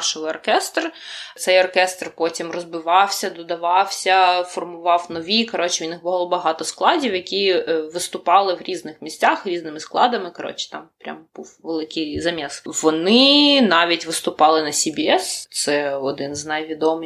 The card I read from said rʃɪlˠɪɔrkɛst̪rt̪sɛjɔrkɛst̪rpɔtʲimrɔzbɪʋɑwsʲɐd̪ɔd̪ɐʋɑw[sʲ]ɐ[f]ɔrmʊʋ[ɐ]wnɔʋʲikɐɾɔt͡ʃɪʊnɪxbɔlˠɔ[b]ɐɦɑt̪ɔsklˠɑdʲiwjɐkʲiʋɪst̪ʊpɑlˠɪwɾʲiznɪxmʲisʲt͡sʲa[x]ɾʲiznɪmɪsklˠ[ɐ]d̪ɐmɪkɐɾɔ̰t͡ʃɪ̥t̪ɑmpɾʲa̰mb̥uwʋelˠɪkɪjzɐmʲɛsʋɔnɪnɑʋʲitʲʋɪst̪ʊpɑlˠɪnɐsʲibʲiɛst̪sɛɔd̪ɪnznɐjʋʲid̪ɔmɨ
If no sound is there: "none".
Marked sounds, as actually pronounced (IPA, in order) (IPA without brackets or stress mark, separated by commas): sʲ, f, ɑ, b, x, ɑ